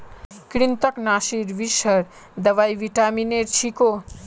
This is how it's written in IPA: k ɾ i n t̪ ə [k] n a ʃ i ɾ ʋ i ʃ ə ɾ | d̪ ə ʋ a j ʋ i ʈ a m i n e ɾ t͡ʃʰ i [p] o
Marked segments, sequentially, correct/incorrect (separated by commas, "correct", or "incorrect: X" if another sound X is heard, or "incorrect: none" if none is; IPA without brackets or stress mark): correct, incorrect: k